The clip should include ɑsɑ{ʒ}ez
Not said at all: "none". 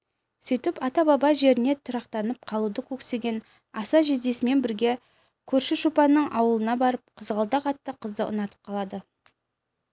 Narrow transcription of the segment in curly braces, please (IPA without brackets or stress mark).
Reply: ʒ